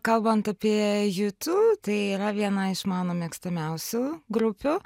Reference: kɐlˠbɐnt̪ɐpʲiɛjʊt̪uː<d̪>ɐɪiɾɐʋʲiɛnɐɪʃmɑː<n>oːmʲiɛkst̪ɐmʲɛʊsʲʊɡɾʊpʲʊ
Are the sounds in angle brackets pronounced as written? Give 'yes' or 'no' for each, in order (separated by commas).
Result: no, yes